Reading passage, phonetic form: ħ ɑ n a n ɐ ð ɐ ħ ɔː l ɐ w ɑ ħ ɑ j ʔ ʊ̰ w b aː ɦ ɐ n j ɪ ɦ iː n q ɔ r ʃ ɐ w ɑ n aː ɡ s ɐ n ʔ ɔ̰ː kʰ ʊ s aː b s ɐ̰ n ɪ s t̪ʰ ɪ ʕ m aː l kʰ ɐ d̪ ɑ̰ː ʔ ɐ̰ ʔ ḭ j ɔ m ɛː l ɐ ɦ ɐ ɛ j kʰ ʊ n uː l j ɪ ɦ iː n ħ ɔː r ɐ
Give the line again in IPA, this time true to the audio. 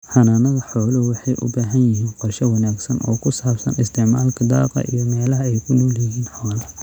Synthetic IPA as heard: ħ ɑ n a n ɐ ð ɐ ħ ɔː l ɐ w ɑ ħ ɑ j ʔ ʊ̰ b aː ɦ ɐ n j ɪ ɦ iː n q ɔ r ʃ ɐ w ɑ n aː ɡ s ɐ n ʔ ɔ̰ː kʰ ʊ s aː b s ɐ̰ n ɪ s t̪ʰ ɪ ʕ m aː l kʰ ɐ d̪ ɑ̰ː q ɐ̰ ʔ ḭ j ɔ m ɛː l ɐ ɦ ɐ ɛ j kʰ ʊ n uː l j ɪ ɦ iː n ħ ɔː l ɐ